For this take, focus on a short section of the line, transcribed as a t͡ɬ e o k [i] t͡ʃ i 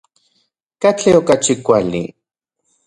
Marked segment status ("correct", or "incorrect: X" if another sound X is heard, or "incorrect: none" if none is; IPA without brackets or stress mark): incorrect: a